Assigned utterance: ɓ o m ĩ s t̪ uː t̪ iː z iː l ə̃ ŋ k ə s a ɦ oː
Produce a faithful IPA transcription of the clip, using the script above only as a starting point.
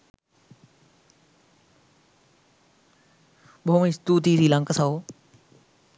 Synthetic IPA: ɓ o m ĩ s t̪ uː t̪ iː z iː l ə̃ ŋ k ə s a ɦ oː